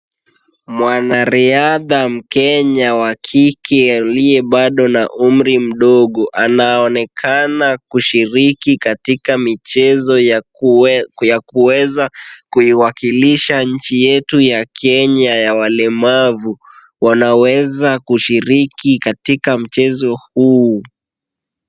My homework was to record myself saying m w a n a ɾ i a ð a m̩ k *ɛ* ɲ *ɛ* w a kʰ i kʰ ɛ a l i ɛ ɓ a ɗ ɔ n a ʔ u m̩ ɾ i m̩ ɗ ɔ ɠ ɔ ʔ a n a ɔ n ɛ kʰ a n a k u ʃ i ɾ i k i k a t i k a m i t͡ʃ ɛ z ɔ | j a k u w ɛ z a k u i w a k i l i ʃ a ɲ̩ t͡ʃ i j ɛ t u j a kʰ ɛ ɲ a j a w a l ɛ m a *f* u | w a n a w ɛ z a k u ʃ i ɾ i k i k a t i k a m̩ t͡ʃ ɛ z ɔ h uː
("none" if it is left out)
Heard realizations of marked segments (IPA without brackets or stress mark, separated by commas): ɛ, a, v